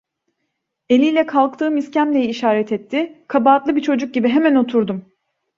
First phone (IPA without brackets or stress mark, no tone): e̞